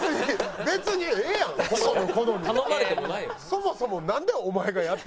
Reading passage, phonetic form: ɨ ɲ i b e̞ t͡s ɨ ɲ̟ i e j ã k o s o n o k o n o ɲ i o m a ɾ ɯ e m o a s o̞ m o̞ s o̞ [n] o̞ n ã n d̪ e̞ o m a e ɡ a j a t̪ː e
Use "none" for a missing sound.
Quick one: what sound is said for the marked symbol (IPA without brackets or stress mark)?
m